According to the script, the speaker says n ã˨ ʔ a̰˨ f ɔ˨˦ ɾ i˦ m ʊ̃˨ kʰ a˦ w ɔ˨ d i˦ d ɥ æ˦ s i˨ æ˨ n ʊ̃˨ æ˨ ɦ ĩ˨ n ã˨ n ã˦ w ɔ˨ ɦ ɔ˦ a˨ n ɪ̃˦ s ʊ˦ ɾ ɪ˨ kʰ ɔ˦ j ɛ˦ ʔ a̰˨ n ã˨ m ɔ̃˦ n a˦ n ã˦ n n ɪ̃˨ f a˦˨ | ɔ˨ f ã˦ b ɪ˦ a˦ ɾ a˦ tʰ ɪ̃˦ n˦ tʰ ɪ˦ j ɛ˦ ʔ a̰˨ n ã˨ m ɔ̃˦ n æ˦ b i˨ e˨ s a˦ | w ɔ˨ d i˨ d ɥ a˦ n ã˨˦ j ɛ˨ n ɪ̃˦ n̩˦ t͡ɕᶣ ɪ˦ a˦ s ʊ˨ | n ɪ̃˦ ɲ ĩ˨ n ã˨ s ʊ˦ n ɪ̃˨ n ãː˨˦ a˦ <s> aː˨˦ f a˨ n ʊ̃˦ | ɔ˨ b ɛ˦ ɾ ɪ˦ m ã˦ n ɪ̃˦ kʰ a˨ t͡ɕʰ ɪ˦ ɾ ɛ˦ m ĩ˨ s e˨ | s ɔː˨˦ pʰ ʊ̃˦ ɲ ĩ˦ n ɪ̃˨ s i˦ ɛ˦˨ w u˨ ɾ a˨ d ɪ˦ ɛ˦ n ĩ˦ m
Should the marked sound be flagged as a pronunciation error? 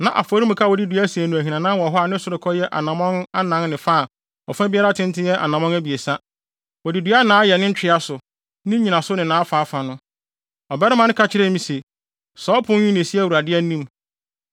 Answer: yes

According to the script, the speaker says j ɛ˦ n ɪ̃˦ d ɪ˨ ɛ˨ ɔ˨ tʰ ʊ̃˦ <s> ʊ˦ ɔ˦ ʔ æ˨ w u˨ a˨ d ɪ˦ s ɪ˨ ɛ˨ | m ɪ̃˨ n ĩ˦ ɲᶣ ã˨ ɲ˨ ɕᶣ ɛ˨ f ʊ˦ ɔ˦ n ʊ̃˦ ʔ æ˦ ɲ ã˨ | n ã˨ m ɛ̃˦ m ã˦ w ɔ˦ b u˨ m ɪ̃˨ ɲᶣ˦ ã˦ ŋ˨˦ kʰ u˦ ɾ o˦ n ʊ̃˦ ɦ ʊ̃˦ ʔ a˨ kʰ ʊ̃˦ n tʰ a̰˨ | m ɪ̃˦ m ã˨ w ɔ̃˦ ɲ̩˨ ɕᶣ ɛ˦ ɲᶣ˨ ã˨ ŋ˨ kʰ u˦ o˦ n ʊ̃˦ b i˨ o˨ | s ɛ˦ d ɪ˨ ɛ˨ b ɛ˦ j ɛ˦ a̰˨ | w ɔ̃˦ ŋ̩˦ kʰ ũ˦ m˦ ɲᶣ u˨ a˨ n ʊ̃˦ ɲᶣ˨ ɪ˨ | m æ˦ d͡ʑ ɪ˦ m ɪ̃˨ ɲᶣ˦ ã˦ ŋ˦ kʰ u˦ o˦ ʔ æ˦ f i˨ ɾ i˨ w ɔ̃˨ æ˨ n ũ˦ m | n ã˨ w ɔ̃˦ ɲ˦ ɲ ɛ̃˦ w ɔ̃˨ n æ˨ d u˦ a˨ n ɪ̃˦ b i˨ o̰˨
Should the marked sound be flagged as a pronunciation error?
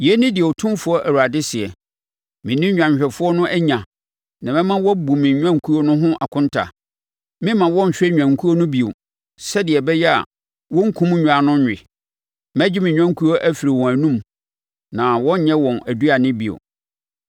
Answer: yes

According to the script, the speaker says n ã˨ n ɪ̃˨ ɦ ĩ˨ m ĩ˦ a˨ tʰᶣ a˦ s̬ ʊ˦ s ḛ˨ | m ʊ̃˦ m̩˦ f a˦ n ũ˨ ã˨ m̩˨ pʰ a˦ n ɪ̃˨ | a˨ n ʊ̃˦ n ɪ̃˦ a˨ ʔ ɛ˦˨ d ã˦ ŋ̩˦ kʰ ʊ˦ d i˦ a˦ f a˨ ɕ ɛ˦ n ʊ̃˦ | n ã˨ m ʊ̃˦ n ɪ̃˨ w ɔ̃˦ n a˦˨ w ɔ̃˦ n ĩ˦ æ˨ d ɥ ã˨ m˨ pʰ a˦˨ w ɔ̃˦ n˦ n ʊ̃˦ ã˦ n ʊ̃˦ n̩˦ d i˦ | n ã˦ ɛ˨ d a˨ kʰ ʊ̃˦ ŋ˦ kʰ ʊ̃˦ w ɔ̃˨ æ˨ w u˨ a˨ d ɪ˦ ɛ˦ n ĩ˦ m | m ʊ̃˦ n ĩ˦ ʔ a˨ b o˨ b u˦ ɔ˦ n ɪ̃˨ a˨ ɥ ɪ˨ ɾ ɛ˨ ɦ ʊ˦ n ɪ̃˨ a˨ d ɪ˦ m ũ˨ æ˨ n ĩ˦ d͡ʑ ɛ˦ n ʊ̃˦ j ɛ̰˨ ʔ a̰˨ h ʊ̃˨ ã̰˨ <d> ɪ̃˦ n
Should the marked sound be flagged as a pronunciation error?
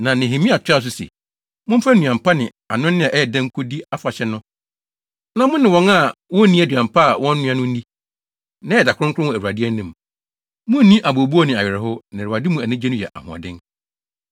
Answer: no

